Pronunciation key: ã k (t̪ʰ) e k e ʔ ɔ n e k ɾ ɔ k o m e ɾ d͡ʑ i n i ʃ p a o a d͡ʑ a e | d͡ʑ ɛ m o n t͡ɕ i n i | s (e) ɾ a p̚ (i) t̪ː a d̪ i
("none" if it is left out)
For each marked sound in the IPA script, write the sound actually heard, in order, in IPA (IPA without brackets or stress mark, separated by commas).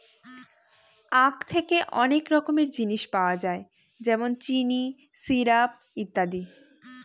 t̪ʰ, i, i